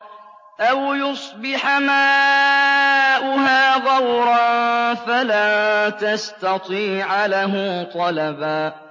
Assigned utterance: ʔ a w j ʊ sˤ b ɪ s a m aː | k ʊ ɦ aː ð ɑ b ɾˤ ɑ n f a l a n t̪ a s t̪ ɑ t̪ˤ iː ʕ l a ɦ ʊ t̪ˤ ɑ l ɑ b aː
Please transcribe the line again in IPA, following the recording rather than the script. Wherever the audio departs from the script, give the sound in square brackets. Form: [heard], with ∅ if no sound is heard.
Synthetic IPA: ʔ a w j ʊ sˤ b ɪ [ħ] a m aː | [ʔ] ʊ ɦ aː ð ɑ [w] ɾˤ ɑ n f a l a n t̪ a s t̪ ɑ t̪ˤ iː ʕ l a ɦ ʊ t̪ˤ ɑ l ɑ b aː